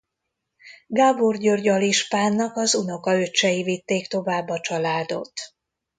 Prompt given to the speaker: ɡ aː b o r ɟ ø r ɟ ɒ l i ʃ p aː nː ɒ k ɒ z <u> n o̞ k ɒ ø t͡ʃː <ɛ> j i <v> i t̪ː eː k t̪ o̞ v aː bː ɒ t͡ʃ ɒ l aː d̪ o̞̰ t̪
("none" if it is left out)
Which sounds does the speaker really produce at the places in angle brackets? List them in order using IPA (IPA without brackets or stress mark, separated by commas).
u, ɛ, v